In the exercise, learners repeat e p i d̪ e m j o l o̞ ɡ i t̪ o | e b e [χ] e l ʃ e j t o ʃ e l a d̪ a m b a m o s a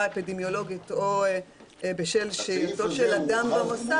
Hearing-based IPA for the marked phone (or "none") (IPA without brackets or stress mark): ʃ